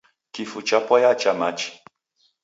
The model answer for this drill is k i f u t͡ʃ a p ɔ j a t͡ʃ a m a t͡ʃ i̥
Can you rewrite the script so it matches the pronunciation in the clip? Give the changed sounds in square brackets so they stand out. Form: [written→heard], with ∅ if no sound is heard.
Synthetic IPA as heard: k i f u t͡ʃ a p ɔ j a t͡ʃ a m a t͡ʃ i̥

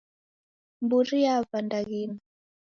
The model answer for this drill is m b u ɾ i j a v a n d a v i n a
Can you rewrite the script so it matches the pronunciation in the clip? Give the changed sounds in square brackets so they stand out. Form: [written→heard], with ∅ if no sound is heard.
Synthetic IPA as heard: m b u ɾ i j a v a n d a [v→ɣ] i n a

